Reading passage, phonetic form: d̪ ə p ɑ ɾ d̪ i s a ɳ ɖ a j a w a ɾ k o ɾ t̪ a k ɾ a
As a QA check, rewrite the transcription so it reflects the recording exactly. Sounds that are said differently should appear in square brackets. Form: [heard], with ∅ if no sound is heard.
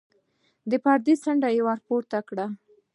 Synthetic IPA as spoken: d̪ ə p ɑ ɾ d̪ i s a ɳ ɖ a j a w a ɾ [p] o ɾ t̪ a k [ɽ] a